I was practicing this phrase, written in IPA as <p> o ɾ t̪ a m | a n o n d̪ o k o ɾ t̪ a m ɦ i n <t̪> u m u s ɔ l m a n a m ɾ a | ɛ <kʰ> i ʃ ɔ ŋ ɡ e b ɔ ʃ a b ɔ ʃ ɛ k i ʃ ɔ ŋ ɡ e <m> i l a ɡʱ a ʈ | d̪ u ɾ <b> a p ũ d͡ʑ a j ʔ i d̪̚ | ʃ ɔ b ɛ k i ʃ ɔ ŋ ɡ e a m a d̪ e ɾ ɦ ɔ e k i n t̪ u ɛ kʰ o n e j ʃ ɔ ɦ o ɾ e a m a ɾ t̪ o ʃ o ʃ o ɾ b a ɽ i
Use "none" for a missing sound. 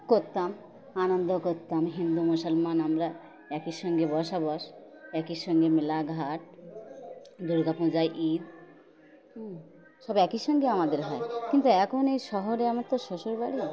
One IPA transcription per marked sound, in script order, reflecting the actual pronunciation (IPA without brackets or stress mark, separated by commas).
k, d̪, k, m, ɡ